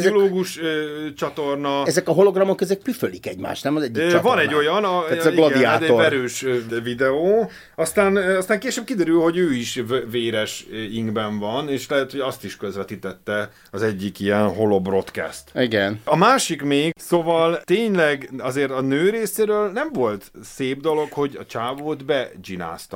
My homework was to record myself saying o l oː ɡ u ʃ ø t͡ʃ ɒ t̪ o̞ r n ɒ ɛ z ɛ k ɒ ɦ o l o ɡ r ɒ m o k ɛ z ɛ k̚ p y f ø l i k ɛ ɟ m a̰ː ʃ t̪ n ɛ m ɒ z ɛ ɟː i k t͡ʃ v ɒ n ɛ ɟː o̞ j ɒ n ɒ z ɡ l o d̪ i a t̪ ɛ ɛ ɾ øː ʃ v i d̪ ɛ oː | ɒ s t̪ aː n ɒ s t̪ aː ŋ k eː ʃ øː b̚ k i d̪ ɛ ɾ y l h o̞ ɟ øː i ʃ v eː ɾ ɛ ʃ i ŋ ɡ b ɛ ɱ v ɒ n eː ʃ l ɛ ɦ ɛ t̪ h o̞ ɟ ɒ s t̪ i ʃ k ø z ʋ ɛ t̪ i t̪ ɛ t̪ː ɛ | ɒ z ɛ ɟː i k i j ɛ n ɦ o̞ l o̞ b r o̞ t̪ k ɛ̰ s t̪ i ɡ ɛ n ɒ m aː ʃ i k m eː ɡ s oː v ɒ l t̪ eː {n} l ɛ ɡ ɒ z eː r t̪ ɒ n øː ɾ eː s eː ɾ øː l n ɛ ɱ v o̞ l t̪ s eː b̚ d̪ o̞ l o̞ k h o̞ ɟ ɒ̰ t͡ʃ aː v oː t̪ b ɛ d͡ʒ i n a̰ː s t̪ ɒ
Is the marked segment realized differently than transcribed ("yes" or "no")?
yes